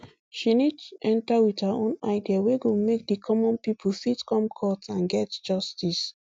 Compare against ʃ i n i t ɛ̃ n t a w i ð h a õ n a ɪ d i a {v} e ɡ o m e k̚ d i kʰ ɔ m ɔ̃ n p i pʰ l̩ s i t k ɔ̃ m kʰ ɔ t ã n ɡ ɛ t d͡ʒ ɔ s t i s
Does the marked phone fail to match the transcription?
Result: yes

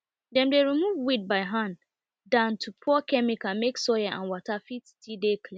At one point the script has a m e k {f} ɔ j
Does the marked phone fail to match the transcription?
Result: yes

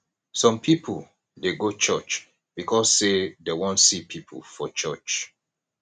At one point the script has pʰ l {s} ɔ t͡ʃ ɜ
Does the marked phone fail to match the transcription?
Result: yes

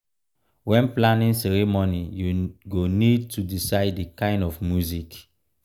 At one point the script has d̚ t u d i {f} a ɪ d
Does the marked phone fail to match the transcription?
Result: yes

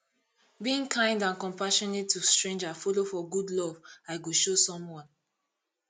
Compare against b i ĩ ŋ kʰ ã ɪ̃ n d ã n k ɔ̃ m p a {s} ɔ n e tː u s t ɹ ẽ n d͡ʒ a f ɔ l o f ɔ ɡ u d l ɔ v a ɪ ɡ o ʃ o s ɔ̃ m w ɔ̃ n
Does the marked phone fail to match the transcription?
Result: yes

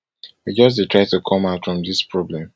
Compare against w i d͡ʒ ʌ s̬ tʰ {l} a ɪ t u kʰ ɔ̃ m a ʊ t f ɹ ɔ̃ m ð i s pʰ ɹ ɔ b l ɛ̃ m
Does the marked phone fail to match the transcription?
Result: yes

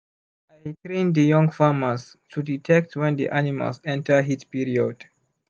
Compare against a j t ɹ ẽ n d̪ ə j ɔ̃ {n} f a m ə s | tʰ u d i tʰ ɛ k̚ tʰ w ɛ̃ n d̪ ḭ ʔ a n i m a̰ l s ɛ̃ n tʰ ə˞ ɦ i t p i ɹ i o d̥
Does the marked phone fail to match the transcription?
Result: yes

